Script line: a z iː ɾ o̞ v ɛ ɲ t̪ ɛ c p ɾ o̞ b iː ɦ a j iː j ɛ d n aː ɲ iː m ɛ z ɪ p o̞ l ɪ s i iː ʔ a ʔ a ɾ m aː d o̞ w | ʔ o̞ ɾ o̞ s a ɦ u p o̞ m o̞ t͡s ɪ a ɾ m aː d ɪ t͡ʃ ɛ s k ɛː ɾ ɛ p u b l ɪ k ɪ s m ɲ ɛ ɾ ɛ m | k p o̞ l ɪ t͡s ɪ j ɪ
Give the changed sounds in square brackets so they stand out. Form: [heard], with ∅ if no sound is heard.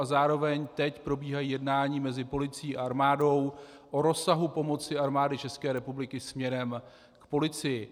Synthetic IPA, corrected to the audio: a z [aː] ɾ o̞ v ɛ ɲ t̪ ɛ c p ɾ o̞ b iː ɦ a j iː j ɛ d n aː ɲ iː m ɛ z ɪ p o̞ l ɪ [t͡s] i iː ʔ a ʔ a ɾ m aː d o̞ w | ʔ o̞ ɾ o̞ s a ɦ u p o̞ m o̞ t͡s ɪ a ɾ m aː d ɪ t͡ʃ ɛ s k ɛː ɾ ɛ p u b l ɪ k ɪ s m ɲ ɛ ɾ ɛ m | k p o̞ l ɪ t͡s ɪ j ɪ